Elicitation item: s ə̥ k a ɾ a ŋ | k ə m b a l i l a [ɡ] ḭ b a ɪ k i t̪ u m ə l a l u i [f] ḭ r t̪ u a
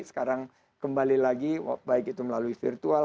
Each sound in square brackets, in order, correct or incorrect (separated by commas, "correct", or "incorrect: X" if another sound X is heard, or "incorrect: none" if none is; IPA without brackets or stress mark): correct, correct